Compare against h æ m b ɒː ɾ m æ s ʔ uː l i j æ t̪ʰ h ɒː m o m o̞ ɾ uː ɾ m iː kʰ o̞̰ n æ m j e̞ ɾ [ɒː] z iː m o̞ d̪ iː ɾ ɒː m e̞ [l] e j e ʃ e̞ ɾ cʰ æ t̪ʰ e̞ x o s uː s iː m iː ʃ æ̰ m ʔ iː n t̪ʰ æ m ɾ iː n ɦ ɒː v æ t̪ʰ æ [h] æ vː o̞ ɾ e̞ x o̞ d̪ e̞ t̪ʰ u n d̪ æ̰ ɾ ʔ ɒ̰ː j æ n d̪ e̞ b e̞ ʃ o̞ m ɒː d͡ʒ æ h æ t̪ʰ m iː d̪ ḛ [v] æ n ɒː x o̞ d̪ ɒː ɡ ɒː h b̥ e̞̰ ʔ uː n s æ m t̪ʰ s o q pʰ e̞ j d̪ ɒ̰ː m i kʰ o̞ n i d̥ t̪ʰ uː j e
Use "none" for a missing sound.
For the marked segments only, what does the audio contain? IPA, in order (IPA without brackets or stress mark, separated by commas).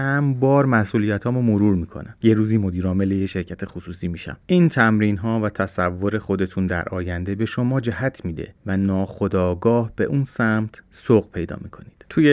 uː, l, s, v